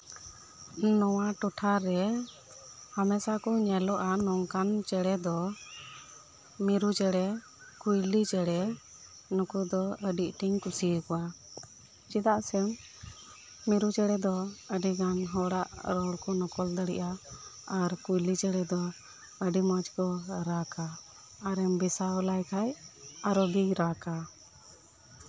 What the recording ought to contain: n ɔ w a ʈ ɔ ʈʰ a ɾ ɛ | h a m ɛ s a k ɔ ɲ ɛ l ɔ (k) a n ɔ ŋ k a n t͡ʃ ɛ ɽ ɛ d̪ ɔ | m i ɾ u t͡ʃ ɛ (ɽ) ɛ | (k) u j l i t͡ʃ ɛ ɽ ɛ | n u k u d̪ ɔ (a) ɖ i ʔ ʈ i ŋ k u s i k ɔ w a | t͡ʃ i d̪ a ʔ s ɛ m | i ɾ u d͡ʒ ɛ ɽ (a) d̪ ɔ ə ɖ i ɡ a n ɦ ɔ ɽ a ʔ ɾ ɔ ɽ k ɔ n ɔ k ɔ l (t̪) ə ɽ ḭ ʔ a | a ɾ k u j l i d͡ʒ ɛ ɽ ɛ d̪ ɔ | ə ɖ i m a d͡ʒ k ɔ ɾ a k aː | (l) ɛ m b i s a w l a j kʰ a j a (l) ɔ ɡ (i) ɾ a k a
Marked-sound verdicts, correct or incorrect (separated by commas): incorrect, correct, correct, incorrect, incorrect, incorrect, incorrect, incorrect, correct